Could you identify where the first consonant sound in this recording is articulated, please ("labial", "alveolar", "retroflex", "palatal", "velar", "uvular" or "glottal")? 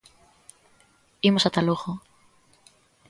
labial